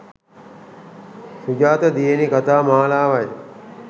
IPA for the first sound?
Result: s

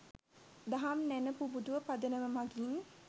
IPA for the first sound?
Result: d̪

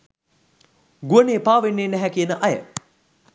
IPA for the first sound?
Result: ɡ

